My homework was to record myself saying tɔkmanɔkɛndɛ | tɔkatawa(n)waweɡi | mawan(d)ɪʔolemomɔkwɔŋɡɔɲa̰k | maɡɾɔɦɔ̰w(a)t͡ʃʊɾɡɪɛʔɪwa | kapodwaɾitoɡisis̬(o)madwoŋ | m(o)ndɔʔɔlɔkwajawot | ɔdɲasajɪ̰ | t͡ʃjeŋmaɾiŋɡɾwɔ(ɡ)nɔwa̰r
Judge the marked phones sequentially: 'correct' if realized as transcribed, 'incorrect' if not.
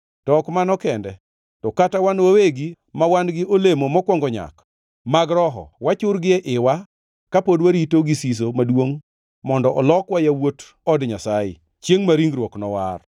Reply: correct, incorrect, correct, correct, incorrect, incorrect

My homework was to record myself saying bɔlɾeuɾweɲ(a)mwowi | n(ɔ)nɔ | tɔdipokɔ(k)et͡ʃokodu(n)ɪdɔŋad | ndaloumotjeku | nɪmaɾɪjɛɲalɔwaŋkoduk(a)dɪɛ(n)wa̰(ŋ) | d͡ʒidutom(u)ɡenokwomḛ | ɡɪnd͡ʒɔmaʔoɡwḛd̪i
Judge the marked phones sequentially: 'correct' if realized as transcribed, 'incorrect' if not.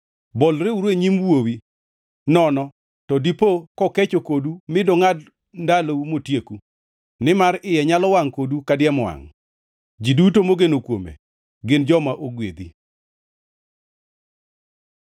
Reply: incorrect, correct, correct, incorrect, correct, incorrect, correct, incorrect

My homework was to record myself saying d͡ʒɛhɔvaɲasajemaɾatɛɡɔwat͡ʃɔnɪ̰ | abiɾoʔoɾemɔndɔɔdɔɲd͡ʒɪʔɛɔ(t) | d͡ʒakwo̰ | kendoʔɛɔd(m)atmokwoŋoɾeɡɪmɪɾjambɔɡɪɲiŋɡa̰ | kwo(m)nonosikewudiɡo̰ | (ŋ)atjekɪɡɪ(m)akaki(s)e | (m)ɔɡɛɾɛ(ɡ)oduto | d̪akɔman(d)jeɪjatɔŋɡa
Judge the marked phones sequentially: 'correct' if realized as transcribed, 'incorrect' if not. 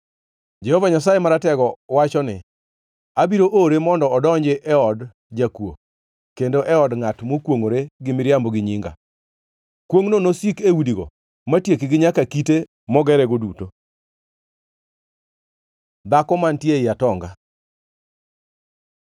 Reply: incorrect, incorrect, incorrect, incorrect, incorrect, incorrect, correct, correct, incorrect

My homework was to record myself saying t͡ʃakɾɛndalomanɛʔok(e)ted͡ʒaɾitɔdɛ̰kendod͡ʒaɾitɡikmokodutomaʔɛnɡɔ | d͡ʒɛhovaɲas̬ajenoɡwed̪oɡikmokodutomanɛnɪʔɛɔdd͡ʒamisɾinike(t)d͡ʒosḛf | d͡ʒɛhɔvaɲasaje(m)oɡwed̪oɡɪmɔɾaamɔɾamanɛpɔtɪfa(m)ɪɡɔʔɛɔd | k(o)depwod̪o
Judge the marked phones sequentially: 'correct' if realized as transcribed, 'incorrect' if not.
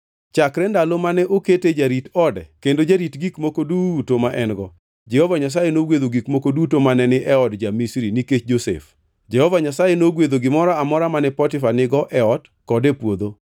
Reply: correct, incorrect, incorrect, incorrect, incorrect

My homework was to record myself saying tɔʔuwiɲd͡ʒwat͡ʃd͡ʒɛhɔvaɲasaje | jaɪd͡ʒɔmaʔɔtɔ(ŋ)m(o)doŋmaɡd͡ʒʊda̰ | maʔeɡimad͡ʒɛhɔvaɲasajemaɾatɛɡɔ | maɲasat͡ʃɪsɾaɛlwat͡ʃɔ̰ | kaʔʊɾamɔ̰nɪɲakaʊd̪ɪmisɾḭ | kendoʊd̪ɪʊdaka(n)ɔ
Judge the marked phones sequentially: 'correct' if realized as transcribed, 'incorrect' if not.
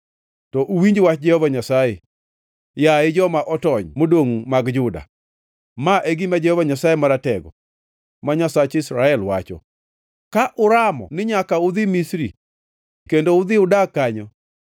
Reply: incorrect, correct, incorrect

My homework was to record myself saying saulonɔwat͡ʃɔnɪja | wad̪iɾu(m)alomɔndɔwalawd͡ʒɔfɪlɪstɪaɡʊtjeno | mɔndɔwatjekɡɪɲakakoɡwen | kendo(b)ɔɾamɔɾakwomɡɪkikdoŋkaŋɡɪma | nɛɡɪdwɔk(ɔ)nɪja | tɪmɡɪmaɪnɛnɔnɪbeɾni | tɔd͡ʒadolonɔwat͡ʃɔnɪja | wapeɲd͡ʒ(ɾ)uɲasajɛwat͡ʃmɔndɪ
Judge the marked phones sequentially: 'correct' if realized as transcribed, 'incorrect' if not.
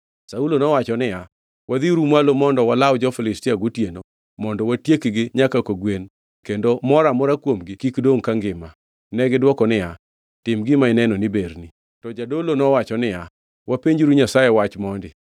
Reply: correct, incorrect, correct, correct

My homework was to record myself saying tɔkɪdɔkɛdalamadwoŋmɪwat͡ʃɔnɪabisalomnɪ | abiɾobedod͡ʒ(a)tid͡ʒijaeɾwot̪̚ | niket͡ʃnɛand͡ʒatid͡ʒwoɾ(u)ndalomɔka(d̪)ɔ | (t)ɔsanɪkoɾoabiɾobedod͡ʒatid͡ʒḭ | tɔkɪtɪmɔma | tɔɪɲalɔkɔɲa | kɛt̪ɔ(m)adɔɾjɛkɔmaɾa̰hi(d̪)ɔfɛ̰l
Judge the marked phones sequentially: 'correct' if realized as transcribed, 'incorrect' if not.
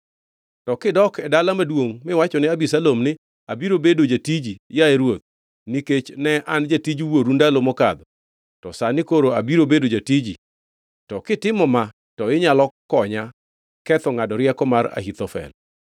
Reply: correct, correct, correct, correct, incorrect, incorrect

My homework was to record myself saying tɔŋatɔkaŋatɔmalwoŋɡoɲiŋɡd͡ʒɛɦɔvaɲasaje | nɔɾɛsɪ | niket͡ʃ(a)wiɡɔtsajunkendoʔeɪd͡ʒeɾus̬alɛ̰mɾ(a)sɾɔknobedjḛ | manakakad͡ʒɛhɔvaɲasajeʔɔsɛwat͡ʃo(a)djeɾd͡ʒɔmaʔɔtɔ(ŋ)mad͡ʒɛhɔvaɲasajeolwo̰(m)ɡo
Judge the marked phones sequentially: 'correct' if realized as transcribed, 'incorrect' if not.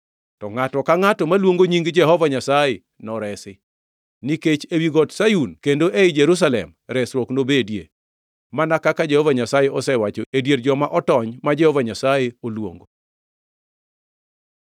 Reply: incorrect, incorrect, incorrect, incorrect, incorrect

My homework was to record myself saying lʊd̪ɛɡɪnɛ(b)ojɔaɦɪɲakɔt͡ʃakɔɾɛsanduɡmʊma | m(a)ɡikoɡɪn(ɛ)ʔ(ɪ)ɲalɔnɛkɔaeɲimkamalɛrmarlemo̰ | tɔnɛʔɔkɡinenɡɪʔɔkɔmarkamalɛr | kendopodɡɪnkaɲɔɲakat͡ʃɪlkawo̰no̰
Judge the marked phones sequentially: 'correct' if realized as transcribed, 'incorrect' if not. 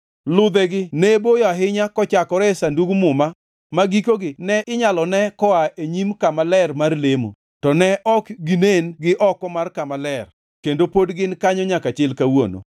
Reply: correct, correct, correct, correct

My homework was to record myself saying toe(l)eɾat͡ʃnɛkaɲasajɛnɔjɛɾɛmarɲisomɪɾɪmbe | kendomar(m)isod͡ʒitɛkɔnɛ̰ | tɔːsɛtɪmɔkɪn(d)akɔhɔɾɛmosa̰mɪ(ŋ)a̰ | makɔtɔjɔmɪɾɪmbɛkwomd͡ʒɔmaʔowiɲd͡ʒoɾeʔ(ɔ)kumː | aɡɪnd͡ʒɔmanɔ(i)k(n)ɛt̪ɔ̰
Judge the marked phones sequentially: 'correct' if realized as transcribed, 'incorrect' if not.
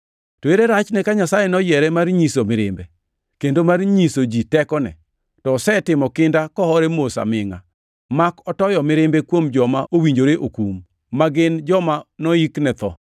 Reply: incorrect, incorrect, correct, correct, incorrect, correct, correct

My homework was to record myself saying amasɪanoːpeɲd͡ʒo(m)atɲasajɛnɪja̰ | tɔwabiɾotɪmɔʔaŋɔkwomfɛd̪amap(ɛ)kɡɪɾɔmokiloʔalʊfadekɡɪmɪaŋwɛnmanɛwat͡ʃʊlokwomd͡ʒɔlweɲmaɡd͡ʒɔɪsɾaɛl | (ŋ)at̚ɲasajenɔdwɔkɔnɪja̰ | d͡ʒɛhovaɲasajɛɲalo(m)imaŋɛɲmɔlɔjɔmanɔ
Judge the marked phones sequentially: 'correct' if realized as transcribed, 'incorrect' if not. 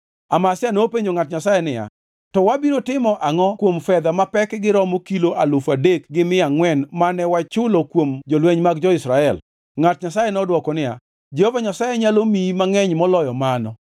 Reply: incorrect, correct, correct, correct

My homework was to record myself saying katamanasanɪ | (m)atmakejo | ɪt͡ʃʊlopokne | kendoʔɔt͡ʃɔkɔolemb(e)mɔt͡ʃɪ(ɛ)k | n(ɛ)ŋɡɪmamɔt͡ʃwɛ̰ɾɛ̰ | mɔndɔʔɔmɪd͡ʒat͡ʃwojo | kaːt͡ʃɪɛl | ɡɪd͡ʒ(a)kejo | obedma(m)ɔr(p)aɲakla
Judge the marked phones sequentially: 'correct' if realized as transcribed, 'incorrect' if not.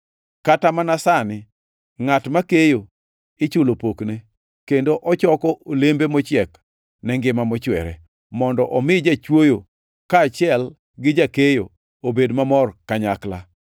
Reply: incorrect, correct, correct, correct, correct, correct, incorrect

